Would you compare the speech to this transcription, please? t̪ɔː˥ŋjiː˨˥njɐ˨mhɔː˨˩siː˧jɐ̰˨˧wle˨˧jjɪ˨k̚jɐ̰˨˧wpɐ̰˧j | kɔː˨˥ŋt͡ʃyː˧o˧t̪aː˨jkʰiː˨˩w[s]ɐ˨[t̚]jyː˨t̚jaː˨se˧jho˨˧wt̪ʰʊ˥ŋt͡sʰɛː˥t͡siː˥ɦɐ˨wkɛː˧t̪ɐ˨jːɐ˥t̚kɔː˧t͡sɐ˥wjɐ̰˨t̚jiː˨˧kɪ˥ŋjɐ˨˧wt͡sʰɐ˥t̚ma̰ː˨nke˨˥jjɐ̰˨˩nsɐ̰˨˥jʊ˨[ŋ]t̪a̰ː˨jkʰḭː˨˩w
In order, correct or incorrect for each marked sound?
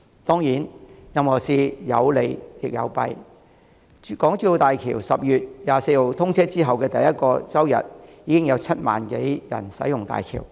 correct, incorrect: p̚, correct

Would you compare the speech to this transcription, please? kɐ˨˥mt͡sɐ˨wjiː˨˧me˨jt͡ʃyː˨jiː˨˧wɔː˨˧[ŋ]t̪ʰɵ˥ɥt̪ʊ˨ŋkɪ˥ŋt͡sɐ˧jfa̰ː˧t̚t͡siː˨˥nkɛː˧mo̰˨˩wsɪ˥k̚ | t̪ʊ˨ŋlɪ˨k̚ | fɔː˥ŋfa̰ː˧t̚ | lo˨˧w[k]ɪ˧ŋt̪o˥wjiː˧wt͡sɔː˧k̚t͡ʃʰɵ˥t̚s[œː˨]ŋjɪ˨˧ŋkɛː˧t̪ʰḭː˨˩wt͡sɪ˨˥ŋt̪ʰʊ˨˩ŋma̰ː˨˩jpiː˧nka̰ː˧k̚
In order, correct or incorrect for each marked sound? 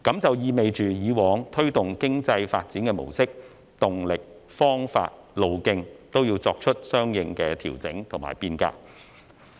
correct, correct, incorrect: œː˥

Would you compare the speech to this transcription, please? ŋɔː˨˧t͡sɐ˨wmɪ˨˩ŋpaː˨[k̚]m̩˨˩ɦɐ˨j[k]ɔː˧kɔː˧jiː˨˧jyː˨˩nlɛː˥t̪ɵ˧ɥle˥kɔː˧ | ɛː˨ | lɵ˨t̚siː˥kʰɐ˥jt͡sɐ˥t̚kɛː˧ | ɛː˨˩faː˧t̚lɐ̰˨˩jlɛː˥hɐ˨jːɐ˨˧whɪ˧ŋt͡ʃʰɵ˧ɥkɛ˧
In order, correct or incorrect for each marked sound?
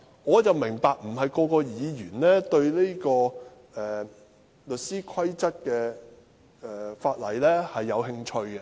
correct, correct

